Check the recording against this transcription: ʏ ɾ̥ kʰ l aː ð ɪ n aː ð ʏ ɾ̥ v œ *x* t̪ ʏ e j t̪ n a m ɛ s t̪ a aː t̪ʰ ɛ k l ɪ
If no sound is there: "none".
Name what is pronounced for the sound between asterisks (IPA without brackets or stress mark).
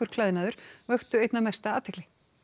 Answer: x